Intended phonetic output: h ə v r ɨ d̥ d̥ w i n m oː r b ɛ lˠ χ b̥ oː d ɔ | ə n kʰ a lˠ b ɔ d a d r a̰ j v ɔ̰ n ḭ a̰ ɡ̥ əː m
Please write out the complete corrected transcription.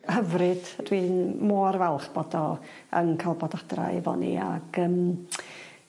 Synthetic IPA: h ə v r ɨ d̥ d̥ w i n m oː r v ɛ lˠ χ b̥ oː d ɔ | ə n kʰ a lˠ b ɔ d a d r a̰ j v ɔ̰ n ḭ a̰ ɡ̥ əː m